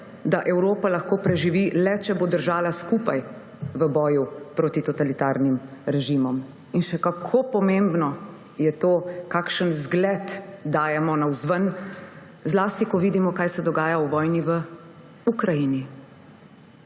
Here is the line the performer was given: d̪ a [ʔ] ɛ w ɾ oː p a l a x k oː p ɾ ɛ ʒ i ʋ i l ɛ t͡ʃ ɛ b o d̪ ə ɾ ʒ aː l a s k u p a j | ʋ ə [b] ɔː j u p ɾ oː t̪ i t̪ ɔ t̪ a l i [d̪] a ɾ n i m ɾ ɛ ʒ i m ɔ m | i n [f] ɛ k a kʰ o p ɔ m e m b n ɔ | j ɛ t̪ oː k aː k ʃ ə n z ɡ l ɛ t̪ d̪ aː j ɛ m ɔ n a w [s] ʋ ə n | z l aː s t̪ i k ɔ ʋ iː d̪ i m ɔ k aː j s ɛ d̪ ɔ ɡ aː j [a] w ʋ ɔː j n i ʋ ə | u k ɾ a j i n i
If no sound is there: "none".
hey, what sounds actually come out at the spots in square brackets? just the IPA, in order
ʔ, b, t̪, ʃ, z, a

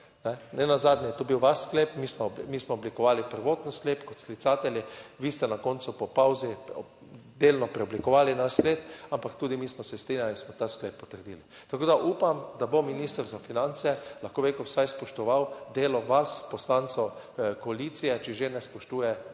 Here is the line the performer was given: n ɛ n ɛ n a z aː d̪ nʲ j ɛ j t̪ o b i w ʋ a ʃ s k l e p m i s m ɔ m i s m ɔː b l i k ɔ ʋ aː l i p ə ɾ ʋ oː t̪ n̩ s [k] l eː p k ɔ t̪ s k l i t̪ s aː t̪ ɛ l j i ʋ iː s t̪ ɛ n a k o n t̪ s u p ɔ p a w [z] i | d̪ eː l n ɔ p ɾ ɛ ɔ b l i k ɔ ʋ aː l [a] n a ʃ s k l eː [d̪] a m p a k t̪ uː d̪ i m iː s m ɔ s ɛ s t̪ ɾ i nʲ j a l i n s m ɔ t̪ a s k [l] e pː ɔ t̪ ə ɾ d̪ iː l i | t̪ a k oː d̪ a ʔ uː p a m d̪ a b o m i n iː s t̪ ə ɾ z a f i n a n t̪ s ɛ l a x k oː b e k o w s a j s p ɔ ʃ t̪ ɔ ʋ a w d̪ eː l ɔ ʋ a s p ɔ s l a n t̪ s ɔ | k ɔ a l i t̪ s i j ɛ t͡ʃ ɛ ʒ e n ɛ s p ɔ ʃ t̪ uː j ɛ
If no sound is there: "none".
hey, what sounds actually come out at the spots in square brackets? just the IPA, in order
k, z, i, t̪, l

